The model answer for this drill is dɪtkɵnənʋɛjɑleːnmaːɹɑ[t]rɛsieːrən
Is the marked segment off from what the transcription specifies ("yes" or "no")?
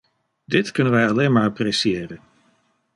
yes